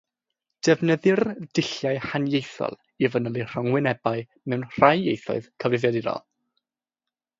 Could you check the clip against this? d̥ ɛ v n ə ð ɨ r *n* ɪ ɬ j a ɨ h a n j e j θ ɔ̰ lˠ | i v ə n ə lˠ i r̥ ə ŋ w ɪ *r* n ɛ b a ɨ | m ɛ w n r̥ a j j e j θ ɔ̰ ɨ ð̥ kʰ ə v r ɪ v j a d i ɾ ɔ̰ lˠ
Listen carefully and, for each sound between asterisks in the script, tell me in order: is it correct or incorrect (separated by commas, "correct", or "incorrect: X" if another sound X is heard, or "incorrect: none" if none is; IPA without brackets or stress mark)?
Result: incorrect: d, incorrect: none